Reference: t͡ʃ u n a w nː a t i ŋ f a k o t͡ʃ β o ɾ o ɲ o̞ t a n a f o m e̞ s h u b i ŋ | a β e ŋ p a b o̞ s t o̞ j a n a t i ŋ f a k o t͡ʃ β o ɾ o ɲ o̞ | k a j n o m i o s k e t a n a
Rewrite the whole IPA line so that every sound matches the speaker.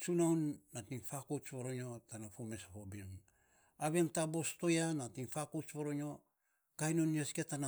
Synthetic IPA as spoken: t͡ʃ u n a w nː a t i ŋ f a k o t͡ʃ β o ɾ o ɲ o̞ t a n a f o m e̞ s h o b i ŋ | a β e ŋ t a b o̞ s t o̞ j a n a t i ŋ f a k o t͡ʃ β o ɾ o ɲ o̞ | k a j n o n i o s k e t a n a